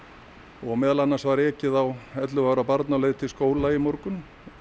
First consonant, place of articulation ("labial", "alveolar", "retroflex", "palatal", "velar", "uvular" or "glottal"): velar